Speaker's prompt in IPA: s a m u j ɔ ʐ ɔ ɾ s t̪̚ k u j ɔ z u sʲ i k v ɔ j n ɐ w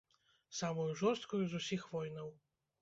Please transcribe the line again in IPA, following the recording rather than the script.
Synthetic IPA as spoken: s a m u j u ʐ ɔ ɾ s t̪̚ k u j u z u sʲ i x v ɔ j n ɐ w